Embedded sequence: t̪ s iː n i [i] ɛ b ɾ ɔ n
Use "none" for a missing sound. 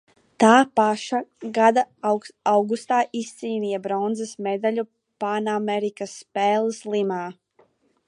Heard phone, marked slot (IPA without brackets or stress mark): j